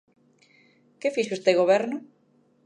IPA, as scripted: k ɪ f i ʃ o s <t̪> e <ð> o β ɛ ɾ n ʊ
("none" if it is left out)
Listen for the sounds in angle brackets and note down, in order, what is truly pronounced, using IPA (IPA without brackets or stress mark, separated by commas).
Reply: t̪, ɣ